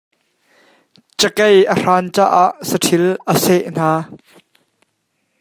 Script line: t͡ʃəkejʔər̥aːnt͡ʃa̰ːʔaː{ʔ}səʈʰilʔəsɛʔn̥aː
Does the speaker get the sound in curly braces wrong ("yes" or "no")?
no